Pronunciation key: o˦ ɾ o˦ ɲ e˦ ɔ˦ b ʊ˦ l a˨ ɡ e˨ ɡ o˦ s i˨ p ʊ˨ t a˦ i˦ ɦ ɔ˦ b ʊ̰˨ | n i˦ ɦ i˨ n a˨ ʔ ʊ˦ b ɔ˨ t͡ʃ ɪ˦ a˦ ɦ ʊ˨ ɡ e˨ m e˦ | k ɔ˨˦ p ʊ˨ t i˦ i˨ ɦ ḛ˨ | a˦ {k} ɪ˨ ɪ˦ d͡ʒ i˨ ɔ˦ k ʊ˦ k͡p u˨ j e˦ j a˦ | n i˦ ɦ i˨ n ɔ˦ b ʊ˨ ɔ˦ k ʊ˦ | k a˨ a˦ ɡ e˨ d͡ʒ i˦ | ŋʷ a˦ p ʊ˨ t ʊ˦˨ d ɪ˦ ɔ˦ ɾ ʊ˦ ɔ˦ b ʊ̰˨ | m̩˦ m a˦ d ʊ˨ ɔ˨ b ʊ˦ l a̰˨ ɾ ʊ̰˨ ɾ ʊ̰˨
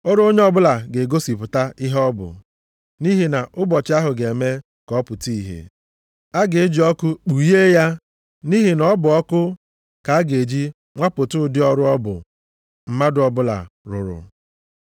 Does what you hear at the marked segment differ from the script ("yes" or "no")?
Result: yes